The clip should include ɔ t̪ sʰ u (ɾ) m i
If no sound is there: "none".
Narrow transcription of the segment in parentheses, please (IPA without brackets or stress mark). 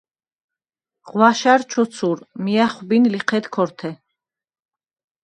ɾ